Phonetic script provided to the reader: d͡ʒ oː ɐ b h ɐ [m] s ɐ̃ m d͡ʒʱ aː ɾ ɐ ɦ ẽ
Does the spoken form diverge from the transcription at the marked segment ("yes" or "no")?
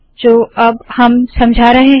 no